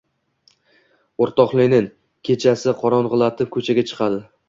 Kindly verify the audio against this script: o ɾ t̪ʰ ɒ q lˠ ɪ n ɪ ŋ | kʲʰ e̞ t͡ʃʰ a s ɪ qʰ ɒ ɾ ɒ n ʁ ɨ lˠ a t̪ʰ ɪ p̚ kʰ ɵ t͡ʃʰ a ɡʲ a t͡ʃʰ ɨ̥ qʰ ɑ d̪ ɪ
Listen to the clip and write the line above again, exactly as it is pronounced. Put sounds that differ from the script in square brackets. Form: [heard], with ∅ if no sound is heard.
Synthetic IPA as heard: o ɾ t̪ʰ ɒ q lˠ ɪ n ɪ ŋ | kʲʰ e̞ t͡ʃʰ a s ɪ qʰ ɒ ɾ ɒ n ʁ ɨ lˠ a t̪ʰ ɪ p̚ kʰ ɵ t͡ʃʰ a ɡʲ a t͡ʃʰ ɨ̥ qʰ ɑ d̪ ɪ

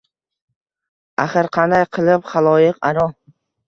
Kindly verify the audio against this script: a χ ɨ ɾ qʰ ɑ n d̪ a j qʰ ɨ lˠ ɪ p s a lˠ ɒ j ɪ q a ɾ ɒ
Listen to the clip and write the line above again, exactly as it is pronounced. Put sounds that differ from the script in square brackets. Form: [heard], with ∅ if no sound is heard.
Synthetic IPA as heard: a χ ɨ ɾ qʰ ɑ n d̪ a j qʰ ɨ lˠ ɪ p [χ] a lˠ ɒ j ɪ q a ɾ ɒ

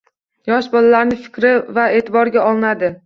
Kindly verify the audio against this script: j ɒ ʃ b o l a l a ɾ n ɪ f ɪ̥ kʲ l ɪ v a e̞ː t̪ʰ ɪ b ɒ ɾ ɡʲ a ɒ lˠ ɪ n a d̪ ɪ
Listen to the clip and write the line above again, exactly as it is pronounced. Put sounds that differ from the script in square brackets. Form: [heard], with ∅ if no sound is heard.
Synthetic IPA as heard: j ɒ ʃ b [ɒ] l a l a ɾ n ɪ f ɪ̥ kʲ [ɾ] ɪ v a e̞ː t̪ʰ ɪ b ɒ ɾ ɡʲ a ɒ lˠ ɪ n a d̪ ɪ

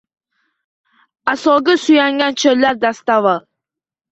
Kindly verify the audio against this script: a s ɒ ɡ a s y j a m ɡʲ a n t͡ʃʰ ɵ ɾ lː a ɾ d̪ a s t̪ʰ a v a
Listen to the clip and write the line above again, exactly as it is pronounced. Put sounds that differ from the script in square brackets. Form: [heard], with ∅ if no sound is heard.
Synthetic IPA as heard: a s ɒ ɡ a s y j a [ŋ] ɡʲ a n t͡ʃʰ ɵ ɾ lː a ɾ d̪ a s [t̪] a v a

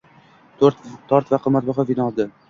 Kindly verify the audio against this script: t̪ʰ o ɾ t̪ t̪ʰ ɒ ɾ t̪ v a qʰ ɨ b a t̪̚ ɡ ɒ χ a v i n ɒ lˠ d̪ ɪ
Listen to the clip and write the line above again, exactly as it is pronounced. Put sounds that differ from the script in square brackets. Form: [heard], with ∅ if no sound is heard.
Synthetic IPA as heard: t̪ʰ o ɾ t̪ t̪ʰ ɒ ɾ t̪ v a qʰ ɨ [m] a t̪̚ [b] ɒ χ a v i n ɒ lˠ d̪ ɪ

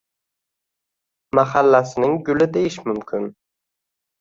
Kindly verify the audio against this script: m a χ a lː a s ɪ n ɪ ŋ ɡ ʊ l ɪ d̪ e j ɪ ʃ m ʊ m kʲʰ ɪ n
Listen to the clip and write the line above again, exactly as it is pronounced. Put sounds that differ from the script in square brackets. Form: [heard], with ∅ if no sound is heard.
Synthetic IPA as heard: m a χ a lː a s ɪ n ɪ ŋ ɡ ʊ l ɪ d̪ e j ɪ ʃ m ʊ m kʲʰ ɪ n

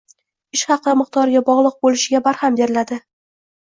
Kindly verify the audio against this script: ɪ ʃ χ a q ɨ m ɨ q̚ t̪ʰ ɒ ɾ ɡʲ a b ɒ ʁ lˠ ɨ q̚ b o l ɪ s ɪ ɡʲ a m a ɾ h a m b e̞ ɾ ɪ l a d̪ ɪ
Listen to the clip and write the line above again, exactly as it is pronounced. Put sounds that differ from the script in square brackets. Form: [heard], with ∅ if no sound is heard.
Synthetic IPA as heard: ɪ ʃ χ [ɑ] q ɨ m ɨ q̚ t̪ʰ ɒ ɾ ɡʲ a b ɒ ʁ lˠ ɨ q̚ b o l ɪ [ʃ] ɪ ɡʲ a [b] a ɾ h a m b e̞ ɾ ɪ l a d̪ ɪ

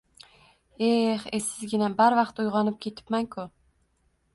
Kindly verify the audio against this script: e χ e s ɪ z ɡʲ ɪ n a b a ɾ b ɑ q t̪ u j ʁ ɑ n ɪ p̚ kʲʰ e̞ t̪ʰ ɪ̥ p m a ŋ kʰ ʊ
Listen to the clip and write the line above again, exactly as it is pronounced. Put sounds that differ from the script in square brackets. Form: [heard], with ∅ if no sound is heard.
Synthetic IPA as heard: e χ e s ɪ z ɡʲ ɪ n a b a ɾ [v] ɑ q t̪ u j ʁ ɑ n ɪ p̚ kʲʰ e̞ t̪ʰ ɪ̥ p m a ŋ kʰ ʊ

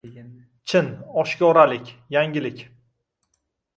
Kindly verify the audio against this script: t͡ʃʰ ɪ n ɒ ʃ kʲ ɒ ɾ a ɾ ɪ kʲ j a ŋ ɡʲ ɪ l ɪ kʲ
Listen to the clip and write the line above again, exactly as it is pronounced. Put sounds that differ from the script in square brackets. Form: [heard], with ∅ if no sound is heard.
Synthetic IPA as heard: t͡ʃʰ ɪ n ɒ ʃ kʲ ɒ ɾ a [l] ɪ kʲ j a ŋ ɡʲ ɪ l ɪ kʲ

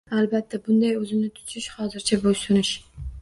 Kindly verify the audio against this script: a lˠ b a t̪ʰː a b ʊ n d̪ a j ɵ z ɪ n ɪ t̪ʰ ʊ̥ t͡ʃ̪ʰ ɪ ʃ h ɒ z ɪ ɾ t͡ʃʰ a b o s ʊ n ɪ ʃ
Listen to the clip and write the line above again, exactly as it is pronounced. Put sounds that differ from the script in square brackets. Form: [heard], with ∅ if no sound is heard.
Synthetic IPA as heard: a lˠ b a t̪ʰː a b ʊ n d̪ a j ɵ z ɪ n ɪ t̪ʰ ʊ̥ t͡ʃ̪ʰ ɪ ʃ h ɒ z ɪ ɾ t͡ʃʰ a b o s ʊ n ɪ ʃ

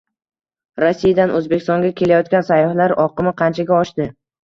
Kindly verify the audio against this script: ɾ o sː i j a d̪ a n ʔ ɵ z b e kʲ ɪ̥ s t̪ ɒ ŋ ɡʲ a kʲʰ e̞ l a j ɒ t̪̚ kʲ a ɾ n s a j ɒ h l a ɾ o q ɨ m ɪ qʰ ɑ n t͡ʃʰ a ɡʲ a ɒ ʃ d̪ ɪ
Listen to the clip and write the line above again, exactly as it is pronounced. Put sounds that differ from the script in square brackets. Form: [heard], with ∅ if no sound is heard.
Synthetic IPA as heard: ɾ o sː i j a d̪ a n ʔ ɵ z b e kʲ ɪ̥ s t̪ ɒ ŋ ɡʲ a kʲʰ e̞ l a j ɒ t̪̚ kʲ a [∅] n s a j ɒ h l a ɾ [ɒ] q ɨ m ɪ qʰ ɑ n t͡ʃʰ a ɡʲ a ɒ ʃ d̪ ɪ

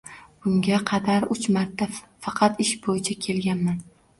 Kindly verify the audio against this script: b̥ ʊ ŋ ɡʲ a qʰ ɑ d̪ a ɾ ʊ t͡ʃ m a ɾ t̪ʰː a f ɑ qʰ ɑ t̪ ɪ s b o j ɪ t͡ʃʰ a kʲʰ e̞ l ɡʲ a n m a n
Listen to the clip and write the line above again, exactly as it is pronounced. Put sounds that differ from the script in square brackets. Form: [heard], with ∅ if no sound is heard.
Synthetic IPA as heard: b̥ ʊ ŋ ɡʲ a qʰ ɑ d̪ a ɾ ʊ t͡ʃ m a ɾ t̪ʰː a f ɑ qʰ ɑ t̪ ɪ [ʃ] b o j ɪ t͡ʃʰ a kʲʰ e̞ l ɡʲ a n m a n

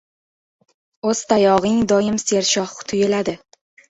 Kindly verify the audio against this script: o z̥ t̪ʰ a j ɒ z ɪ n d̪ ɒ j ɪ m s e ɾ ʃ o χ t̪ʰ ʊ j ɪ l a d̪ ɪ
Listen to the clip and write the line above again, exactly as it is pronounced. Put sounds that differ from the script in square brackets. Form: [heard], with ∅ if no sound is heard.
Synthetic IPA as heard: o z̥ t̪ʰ a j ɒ [ʁ] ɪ [ŋ] d̪ ɒ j ɪ m s e ɾ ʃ [ɒ] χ t̪ʰ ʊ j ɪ l a d̪ ɪ

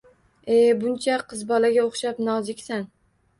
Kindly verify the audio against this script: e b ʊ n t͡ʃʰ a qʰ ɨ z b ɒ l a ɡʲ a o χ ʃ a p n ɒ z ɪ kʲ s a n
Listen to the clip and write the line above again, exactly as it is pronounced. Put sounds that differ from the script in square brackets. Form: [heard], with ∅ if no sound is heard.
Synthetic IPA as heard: e b ʊ n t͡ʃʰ a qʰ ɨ z b ɒ l a ɡʲ a o χ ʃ a p n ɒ z ɪ kʲ s a n

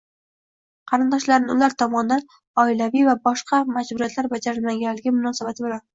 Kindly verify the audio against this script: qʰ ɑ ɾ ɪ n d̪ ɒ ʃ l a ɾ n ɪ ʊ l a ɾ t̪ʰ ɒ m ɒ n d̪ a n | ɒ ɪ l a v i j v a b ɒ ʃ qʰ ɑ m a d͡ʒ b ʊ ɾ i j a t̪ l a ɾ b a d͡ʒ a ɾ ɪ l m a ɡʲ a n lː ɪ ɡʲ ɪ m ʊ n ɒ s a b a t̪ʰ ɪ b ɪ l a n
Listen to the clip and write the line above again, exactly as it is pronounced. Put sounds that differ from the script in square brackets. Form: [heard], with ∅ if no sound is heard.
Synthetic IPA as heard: qʰ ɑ ɾ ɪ n d̪ ɒ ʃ l a ɾ n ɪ ʊ l a ɾ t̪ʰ ɒ m ɒ n d̪ a n | ɒ ɪ l a v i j v a b ɒ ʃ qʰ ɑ m a d͡ʒ b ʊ ɾ i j a t̪ l a ɾ b a d͡ʒ a ɾ ɪ l m a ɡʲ a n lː ɪ ɡʲ ɪ m ʊ n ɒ s a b a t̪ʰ ɪ b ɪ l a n

